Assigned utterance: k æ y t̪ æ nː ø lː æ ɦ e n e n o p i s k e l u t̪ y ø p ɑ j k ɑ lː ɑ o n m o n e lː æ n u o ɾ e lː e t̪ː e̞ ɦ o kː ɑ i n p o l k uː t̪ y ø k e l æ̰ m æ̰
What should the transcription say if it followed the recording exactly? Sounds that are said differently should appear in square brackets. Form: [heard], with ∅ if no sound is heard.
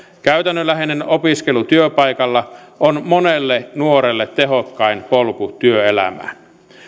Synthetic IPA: k æ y t̪ æ nː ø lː æ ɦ e n e n o p i s k e l u t̪ y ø p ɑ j k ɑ lː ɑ o n m o n e lː [e] n u o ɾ e lː e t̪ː e̞ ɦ o kː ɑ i n p o l k [u] t̪ y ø [∅] e l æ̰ m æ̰